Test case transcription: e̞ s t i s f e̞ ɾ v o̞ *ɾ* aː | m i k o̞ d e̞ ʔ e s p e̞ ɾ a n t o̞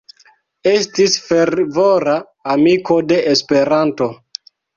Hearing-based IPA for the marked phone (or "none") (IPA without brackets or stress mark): ɾ